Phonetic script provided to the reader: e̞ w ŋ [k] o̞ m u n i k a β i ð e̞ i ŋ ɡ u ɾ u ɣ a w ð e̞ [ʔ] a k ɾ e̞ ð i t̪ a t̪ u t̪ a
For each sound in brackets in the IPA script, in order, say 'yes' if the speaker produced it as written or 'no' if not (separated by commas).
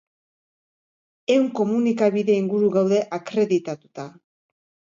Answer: yes, yes